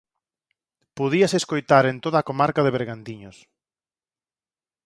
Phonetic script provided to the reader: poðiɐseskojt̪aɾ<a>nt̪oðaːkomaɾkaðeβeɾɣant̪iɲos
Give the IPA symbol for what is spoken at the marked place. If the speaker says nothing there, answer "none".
e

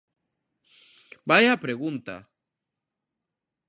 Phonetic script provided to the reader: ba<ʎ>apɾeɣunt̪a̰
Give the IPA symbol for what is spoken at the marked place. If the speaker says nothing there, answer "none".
j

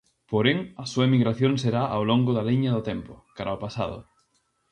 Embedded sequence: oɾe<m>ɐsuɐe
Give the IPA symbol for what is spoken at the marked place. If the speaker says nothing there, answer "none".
ŋ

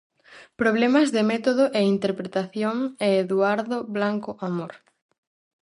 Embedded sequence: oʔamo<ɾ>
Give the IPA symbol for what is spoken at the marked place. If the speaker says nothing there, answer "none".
ɾ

